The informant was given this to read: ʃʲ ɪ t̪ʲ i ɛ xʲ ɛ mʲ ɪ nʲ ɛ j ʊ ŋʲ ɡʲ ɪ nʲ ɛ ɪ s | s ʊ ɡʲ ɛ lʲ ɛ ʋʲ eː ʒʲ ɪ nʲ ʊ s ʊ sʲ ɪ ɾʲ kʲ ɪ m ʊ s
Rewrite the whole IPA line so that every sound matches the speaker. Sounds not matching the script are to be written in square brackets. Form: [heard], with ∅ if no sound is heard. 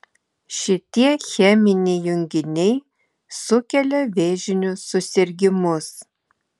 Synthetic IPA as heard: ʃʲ ɪ t̪ʲ i ɛ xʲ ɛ mʲ ɪ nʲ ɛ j ʊ ŋʲ ɡʲ ɪ nʲ ɛ ɪ [∅] | s ʊ [kʲ] ɛ lʲ ɛ ʋʲ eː ʒʲ ɪ nʲ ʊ s ʊ sʲ ɪ ɾʲ [ɡʲ] ɪ m ʊ s